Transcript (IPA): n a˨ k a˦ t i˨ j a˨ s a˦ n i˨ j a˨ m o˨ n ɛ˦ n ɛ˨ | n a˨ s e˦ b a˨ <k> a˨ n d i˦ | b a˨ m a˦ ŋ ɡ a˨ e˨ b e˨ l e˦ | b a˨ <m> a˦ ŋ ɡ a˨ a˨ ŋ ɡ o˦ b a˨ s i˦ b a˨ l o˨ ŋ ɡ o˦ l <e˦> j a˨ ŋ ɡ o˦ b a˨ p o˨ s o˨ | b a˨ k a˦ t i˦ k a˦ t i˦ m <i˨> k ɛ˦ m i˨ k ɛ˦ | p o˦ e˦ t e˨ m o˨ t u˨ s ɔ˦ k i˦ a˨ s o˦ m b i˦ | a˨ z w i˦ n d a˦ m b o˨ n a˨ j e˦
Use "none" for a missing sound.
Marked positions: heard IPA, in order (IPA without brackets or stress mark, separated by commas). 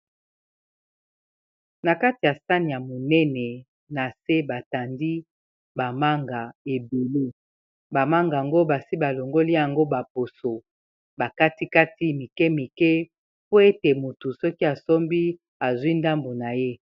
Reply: t, m, i˦, i˨